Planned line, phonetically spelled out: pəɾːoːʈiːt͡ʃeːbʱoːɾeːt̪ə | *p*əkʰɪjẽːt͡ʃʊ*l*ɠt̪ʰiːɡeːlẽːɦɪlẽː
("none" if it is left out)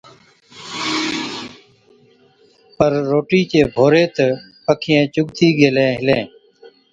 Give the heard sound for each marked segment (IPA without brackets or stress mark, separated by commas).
p, none